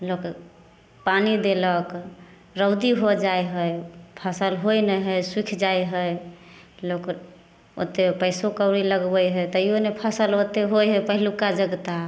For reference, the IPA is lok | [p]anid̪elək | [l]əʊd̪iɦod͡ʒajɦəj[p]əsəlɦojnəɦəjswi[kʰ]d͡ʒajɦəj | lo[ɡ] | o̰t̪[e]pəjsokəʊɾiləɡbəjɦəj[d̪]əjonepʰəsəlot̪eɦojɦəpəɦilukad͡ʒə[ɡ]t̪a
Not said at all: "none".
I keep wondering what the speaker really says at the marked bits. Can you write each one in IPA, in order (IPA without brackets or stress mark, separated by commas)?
p, ɾ, pʰ, kʰ, k, e, t̪, ɡ